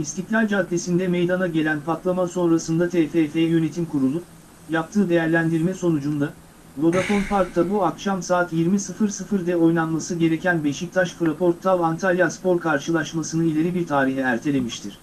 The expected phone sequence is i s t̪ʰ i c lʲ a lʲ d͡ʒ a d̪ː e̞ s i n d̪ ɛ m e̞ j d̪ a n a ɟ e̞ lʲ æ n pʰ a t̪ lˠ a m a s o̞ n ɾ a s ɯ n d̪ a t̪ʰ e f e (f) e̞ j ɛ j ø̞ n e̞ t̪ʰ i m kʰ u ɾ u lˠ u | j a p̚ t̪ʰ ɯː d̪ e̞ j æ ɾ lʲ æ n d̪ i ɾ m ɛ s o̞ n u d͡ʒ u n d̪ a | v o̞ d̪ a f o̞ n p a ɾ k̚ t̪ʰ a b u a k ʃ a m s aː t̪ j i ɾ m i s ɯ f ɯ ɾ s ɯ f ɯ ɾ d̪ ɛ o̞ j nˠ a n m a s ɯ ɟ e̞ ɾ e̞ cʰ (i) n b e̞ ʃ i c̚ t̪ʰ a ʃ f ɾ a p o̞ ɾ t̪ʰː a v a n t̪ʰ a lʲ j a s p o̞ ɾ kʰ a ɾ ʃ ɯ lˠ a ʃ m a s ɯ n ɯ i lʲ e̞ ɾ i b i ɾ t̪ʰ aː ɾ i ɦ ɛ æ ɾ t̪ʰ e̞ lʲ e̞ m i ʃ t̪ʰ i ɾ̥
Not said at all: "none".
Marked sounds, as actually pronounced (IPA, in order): f, æ

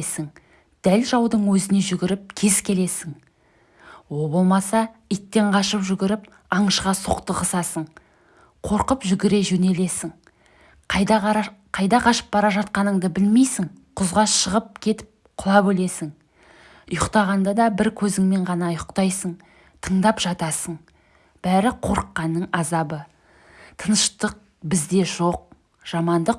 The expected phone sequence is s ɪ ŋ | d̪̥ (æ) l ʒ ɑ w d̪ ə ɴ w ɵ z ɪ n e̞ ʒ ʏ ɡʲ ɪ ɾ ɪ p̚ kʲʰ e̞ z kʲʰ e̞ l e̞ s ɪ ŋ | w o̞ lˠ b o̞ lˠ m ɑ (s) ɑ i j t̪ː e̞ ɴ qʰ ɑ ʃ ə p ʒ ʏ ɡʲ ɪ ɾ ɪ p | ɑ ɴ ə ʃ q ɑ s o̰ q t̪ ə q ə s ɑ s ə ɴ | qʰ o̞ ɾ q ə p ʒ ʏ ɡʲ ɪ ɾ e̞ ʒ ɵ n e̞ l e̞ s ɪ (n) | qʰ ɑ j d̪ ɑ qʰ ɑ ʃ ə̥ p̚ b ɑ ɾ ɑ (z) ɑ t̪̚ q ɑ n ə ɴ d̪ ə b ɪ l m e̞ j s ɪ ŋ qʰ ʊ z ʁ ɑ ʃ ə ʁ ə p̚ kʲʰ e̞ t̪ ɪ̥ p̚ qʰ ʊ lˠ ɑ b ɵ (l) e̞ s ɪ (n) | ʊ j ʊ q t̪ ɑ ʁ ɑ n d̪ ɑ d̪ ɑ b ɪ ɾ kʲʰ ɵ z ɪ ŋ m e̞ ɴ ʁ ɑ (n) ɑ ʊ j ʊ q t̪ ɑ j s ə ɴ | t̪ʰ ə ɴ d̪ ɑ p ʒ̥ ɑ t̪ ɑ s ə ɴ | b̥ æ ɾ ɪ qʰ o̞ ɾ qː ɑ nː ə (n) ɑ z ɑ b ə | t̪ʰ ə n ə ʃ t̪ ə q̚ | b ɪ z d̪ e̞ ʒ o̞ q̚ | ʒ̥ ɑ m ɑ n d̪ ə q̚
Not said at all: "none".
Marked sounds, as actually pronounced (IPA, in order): æ, s, ŋ, ʒ, l, ŋ, n, ɴ

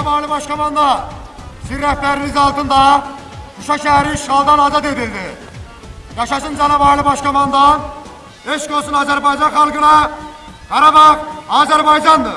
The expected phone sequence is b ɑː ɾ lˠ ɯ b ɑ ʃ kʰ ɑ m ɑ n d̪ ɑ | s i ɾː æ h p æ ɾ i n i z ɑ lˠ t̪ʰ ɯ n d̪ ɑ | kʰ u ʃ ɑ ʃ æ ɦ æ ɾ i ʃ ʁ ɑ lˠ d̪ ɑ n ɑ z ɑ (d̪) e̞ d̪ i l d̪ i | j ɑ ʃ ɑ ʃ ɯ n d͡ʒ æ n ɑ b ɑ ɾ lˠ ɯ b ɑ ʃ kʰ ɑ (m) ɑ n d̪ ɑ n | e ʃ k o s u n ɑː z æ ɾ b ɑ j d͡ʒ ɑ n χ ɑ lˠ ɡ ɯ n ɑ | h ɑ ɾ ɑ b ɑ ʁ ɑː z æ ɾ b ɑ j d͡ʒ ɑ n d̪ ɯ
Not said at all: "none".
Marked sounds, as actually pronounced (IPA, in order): t̪, m

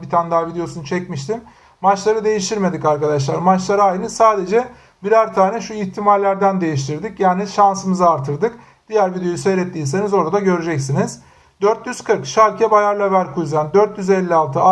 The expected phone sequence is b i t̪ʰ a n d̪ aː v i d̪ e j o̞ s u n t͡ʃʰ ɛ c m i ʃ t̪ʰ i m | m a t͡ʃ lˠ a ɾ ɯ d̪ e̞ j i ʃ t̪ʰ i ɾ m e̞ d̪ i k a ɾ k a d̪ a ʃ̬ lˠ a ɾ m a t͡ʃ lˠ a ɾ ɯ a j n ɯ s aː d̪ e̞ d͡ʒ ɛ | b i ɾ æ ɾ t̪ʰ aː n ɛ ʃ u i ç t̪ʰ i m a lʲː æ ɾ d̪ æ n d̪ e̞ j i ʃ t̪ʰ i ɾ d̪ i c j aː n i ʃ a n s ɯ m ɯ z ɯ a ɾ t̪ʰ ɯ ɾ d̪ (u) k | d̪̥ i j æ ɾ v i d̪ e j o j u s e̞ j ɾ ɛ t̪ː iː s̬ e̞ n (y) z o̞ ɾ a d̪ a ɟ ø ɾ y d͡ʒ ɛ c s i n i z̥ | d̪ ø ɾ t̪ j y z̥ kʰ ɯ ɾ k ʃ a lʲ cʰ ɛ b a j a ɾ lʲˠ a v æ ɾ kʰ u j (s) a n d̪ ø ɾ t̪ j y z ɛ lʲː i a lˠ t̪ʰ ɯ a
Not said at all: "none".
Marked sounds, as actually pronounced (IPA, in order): ɯ, i, z

